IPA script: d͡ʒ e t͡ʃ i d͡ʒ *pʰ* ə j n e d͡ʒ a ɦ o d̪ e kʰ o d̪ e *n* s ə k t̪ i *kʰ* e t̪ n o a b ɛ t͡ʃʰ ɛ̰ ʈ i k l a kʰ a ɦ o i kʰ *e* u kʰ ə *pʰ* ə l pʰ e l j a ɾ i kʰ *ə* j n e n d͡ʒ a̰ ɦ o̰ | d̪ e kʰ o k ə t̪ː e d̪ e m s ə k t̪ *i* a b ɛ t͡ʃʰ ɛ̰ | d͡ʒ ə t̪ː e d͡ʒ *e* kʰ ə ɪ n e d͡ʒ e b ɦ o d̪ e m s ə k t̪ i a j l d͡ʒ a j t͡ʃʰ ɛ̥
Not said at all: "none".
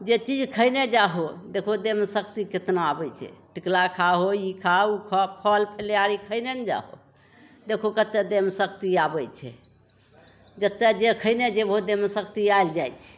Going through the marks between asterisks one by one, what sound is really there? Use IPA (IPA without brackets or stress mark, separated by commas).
kʰ, m, k, a, pʰ, ə, i, e